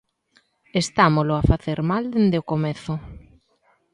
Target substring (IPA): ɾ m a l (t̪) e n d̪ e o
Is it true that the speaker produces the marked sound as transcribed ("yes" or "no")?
no